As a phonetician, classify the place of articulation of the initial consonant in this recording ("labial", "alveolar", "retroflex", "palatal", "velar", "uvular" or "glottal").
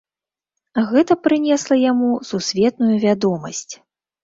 velar